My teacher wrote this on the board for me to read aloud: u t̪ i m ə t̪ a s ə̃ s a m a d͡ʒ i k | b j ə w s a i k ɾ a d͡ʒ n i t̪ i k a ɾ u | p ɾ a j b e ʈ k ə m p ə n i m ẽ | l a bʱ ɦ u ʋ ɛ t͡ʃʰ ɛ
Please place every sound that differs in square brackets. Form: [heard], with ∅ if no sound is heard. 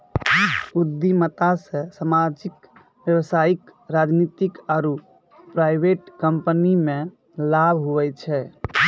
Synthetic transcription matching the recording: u [d̪] i m ə t̪ a s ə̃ s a m a d͡ʒ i k | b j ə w s a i k ɾ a d͡ʒ n i t̪ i k a ɾ u | p ɾ a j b e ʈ k ə m p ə n i m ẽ | l a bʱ ɦ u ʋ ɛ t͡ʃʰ ɛ